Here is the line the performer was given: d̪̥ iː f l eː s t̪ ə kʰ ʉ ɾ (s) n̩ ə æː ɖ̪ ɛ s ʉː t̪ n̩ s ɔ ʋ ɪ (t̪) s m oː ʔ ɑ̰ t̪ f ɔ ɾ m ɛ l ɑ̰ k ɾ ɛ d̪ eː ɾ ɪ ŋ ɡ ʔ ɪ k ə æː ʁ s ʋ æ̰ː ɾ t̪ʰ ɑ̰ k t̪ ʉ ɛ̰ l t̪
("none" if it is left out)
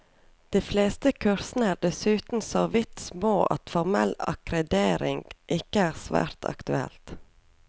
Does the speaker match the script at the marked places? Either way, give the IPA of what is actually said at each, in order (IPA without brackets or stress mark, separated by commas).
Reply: s, t̪